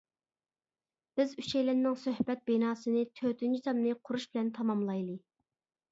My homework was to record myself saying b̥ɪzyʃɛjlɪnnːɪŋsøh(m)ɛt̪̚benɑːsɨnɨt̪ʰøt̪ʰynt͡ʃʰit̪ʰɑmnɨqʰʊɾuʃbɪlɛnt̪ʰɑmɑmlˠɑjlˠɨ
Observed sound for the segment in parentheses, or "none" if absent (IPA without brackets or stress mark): b